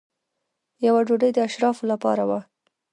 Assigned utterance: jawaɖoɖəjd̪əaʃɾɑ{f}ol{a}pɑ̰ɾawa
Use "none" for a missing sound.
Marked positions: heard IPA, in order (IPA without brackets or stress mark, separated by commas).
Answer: f, a